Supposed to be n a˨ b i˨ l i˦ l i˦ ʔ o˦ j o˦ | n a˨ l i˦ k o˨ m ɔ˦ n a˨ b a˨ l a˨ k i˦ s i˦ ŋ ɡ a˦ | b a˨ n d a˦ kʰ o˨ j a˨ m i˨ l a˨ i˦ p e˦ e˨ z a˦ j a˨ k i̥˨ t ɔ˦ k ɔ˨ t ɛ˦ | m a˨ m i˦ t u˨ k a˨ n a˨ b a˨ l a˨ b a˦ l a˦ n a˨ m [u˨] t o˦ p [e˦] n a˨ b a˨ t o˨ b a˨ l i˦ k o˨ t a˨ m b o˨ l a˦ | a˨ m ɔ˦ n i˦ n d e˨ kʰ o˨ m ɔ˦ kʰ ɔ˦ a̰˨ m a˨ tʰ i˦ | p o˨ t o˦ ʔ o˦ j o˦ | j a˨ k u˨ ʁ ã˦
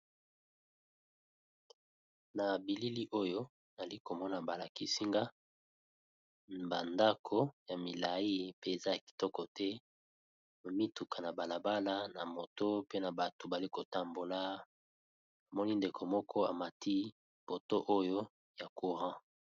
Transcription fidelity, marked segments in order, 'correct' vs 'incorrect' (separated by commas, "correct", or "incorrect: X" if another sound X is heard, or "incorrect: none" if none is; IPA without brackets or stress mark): incorrect: o˨, correct